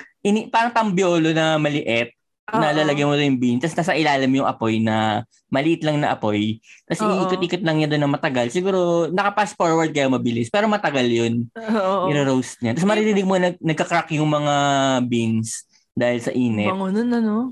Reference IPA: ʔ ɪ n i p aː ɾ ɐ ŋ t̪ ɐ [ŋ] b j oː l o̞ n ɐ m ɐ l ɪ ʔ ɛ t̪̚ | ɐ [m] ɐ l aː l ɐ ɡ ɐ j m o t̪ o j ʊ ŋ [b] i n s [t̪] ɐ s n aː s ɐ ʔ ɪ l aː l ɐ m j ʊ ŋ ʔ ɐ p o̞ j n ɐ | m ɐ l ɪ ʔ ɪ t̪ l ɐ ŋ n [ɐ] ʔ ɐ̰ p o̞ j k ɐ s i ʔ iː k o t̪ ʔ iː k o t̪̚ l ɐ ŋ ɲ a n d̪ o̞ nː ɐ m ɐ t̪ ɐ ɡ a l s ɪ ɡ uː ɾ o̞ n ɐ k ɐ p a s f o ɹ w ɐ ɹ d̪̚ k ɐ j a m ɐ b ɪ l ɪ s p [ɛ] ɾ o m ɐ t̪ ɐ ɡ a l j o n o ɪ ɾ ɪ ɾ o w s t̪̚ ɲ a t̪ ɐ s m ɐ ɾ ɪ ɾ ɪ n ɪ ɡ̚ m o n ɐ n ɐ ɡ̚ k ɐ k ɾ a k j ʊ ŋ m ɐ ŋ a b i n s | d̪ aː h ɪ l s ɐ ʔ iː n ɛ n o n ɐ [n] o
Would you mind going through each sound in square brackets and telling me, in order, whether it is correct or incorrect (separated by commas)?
incorrect, incorrect, correct, correct, correct, incorrect, correct